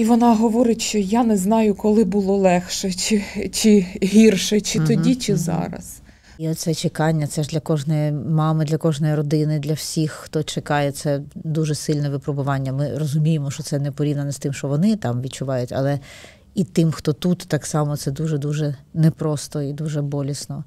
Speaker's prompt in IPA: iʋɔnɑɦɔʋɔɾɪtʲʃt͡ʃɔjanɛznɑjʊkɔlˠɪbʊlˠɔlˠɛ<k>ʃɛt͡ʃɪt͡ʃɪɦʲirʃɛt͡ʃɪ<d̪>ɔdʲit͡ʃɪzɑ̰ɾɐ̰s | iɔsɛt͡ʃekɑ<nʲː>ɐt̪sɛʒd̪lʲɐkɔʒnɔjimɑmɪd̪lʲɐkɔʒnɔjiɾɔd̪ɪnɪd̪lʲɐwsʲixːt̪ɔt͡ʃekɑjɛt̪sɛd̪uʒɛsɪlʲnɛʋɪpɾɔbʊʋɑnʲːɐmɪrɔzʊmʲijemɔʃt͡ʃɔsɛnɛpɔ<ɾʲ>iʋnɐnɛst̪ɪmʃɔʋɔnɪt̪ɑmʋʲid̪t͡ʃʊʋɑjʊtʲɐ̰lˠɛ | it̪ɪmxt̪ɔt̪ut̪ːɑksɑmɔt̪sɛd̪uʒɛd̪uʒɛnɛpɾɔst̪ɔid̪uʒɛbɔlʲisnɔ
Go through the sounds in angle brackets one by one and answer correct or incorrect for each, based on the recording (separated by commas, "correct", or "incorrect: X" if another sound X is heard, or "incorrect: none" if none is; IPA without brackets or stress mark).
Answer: incorrect: x, incorrect: t̪, correct, correct